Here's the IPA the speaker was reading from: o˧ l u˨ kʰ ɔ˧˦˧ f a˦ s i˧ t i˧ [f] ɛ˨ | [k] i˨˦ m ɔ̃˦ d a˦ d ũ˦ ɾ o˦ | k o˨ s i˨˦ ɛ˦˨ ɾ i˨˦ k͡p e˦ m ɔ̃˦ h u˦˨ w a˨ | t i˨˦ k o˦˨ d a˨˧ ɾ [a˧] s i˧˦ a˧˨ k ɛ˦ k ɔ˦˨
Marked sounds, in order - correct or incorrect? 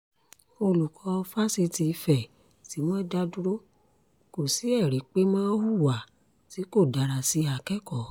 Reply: correct, incorrect: t, correct

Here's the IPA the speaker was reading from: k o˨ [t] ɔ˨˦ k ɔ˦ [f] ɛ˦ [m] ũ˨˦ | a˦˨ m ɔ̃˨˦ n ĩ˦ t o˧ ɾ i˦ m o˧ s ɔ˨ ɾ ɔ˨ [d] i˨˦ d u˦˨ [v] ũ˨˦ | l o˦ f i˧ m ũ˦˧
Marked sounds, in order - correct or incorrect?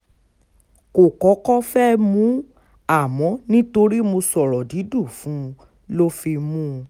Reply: incorrect: k, correct, correct, correct, incorrect: f

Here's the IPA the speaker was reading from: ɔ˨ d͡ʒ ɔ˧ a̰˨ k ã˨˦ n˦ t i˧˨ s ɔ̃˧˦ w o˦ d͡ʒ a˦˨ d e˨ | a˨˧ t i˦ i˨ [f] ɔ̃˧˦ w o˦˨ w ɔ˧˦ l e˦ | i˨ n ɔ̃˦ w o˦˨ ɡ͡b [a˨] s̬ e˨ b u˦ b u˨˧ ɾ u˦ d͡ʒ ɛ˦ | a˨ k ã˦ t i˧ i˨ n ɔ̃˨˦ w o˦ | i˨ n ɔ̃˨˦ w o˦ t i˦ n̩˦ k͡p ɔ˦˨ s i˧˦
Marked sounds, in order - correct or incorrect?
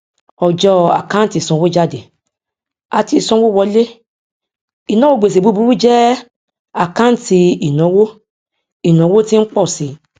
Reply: incorrect: s, incorrect: e˨

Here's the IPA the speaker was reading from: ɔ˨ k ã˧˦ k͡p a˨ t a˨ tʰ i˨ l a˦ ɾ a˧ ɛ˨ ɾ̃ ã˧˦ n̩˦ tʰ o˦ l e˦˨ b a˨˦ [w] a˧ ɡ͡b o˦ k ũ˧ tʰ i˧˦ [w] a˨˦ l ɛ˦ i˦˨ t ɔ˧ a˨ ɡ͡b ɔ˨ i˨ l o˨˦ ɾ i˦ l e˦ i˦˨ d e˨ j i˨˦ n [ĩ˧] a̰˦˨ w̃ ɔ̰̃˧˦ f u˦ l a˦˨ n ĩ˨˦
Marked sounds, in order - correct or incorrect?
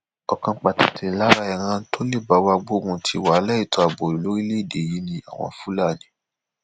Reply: correct, correct, correct

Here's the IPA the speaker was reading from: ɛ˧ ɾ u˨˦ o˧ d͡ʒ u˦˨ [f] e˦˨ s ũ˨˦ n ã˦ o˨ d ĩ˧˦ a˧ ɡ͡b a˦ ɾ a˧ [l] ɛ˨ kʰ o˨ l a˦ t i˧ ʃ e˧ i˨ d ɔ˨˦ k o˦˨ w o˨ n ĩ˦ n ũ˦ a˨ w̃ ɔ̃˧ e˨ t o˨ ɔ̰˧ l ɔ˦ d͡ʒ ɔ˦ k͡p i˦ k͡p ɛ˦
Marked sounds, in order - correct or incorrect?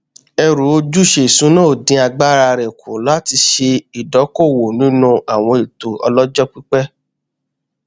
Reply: incorrect: ʃ, incorrect: ɾ

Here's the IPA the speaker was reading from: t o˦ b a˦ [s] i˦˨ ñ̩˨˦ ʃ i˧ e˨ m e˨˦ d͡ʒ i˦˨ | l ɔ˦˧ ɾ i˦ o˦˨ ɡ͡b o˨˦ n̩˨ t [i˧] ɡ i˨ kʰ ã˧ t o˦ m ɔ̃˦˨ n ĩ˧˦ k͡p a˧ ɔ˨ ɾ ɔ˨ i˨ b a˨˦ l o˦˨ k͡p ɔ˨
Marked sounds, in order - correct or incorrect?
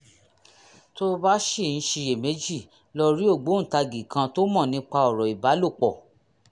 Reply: incorrect: ʃ, incorrect: a˧

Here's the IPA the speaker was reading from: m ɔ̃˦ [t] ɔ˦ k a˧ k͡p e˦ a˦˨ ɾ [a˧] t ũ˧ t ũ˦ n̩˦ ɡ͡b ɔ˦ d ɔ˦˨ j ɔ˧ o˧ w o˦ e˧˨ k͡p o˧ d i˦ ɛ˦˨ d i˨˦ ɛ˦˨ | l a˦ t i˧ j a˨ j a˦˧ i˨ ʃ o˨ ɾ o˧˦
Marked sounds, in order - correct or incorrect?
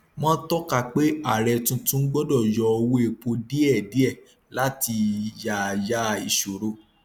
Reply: correct, incorrect: ɛ˧

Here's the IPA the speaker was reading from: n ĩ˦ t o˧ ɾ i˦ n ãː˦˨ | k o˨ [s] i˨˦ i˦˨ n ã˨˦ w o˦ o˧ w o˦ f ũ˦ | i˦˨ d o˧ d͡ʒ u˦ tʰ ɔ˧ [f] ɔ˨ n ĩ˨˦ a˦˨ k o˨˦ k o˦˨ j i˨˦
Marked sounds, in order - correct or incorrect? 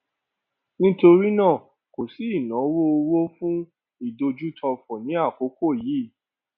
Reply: correct, correct

